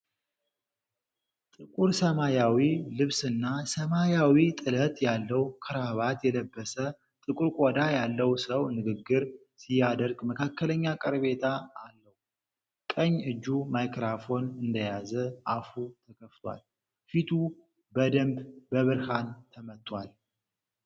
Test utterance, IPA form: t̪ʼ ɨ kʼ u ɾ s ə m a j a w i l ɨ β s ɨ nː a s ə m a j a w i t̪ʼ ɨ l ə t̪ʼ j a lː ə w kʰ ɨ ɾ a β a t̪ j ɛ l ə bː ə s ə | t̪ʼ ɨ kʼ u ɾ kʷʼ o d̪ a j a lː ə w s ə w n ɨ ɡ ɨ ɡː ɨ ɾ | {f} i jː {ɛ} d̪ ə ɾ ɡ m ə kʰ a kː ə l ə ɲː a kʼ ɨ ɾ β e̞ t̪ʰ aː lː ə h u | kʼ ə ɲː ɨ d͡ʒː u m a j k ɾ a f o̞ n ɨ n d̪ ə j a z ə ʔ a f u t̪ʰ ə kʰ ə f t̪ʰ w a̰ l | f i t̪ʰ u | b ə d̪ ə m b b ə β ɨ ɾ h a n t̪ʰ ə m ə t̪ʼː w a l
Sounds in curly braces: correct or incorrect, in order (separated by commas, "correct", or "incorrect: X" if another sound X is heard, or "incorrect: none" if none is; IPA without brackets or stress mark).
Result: incorrect: s, incorrect: a